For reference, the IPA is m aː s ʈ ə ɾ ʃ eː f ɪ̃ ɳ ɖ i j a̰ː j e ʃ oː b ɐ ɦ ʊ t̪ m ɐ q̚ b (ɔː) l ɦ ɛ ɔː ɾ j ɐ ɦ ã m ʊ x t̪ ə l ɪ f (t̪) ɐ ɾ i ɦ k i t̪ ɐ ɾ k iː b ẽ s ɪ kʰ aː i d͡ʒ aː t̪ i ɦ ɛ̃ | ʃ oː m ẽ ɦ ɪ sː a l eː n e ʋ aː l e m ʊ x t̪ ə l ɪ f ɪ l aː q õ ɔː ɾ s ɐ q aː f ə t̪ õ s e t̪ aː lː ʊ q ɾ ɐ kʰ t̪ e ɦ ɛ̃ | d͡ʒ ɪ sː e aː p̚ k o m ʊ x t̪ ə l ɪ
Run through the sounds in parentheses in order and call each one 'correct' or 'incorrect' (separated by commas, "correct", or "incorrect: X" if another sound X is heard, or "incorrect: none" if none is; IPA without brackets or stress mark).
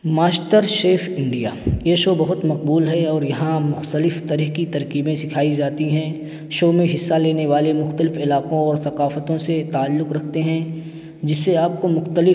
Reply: incorrect: uː, correct